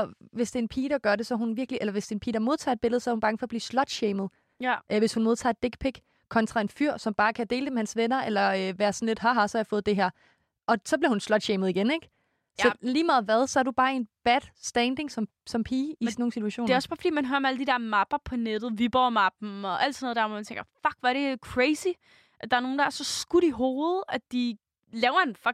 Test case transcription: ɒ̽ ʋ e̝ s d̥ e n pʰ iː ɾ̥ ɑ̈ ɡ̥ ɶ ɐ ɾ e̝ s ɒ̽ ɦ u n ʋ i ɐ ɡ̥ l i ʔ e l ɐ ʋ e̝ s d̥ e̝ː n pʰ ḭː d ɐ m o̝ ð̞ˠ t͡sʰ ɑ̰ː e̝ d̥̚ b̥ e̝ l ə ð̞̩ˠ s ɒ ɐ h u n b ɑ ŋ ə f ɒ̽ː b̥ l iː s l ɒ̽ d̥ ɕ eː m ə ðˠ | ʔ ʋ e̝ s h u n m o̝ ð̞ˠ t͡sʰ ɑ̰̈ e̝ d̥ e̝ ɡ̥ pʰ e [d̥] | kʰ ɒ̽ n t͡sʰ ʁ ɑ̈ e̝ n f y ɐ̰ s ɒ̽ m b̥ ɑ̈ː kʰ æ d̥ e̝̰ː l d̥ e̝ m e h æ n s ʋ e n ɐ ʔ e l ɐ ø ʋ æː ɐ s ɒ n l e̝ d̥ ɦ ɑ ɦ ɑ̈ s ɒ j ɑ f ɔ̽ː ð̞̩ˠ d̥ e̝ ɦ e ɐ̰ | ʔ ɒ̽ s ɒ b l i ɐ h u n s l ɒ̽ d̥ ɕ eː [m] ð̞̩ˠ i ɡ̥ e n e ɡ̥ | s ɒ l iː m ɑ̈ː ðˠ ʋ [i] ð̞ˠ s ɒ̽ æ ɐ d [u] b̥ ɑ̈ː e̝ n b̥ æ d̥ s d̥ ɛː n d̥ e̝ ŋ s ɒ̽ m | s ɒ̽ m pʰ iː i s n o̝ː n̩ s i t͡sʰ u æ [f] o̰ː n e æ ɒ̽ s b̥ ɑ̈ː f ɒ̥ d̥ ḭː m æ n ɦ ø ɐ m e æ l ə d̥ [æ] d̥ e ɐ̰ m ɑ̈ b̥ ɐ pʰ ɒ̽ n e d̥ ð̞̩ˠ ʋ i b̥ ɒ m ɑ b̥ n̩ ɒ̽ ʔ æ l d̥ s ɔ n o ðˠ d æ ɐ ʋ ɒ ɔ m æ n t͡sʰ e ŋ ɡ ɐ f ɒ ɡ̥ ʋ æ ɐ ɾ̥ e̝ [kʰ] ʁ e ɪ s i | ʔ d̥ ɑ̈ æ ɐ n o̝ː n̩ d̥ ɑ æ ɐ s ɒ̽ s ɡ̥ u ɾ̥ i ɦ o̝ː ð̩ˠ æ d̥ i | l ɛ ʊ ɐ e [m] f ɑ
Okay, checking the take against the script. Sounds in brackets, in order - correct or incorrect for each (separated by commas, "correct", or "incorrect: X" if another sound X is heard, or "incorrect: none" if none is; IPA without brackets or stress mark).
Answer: incorrect: ɡ̥, correct, incorrect: æ, correct, incorrect: ɕ, incorrect: i, correct, incorrect: n